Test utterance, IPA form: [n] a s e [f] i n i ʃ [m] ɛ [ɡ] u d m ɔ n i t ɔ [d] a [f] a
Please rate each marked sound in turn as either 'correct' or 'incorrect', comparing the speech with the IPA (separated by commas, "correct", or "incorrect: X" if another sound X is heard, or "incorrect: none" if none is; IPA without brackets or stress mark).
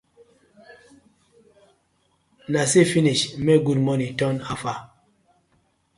correct, correct, correct, correct, incorrect: n, correct